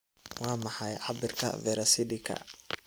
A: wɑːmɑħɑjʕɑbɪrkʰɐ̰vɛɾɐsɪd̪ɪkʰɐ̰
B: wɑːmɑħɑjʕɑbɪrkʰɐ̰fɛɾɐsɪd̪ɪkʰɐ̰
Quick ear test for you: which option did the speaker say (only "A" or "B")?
A